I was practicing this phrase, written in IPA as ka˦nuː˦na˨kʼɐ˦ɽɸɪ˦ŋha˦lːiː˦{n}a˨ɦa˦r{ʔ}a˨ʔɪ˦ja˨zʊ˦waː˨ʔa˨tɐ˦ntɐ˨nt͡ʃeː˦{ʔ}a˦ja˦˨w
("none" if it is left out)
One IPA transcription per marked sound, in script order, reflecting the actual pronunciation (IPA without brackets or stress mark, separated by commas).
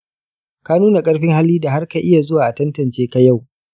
d, k, k